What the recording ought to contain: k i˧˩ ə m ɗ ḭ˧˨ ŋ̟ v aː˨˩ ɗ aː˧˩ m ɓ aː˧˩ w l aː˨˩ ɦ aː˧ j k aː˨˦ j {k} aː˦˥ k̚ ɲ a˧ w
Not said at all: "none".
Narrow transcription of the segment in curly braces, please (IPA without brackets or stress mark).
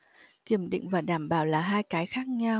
x